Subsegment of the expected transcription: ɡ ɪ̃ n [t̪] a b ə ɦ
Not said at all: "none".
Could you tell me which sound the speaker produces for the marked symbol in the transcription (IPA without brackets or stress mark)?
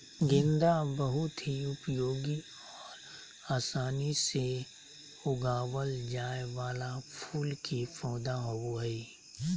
d̪